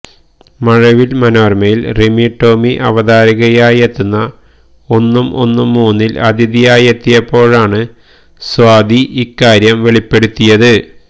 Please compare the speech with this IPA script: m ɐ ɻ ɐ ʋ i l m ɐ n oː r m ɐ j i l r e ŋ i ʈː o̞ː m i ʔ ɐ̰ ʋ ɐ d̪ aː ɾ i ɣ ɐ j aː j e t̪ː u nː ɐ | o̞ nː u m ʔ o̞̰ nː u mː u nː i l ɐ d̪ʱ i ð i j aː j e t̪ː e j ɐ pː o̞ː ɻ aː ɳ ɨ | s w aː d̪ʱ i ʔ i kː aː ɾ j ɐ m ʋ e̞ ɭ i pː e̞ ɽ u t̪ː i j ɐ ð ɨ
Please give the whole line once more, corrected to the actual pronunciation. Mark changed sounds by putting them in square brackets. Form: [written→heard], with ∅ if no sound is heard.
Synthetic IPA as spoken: m ɐ ɻ ɐ ʋ i l m ɐ n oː r m ɐ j i l r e [ŋ→m] i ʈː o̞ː m i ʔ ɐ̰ ʋ ɐ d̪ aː ɾ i ɣ ɐ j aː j e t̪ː u nː ɐ | o̞ nː u m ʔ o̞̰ nː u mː [u→uː] nː i l ɐ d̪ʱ i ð i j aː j e t̪ː [e→i] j ɐ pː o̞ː ɻ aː ɳ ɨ | s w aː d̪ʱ i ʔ i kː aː ɾ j ɐ m ʋ e̞ ɭ i pː e̞ ɽ u t̪ː i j ɐ ð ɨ